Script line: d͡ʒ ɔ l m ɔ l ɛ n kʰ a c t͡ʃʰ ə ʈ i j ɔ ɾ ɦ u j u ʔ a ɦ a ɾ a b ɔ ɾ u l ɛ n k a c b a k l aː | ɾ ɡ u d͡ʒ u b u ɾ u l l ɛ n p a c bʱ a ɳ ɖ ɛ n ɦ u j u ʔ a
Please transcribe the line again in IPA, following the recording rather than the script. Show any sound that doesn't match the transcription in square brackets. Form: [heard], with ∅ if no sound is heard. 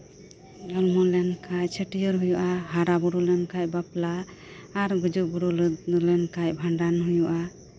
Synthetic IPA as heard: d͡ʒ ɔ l m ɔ l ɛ n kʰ a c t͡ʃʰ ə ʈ i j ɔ ɾ ɦ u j u ʔ a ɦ a ɾ a b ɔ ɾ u l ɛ n k a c b a [p] l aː | ɾ ɡ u d͡ʒ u b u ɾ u l l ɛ n [k] a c bʱ a ɳ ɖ [a] n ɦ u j u ʔ a